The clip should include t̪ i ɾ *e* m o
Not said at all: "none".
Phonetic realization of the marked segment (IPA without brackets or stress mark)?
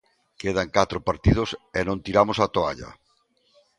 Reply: a